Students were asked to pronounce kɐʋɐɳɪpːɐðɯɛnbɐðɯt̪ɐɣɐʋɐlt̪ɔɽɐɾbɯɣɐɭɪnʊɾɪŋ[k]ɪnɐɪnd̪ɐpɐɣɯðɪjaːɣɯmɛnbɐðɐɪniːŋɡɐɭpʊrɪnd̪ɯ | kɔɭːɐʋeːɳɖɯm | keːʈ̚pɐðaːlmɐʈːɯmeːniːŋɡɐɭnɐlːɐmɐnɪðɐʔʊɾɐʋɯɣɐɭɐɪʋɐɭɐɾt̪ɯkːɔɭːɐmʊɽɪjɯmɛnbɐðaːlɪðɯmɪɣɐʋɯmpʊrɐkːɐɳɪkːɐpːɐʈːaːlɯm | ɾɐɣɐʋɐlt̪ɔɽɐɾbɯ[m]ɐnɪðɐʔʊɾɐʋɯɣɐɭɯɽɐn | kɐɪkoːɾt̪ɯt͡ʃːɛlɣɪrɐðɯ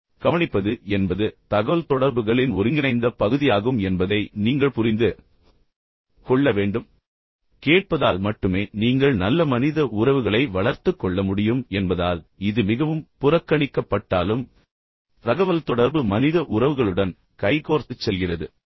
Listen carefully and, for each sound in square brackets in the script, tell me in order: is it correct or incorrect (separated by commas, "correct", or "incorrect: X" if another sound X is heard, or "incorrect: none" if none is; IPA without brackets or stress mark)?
incorrect: ɡ, correct